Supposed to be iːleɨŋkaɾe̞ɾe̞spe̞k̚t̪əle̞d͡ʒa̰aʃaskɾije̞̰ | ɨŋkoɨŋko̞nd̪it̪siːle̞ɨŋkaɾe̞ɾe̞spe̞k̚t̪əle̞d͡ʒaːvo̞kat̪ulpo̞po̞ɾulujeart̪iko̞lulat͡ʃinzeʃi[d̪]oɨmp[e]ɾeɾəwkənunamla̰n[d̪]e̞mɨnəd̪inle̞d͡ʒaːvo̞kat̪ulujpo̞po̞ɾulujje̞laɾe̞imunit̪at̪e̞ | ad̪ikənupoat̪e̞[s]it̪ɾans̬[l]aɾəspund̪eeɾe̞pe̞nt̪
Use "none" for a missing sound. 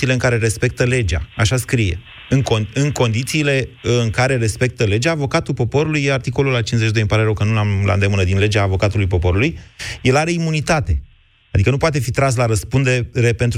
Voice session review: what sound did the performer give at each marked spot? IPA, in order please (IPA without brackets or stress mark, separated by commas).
d̪, a, d̪, f, l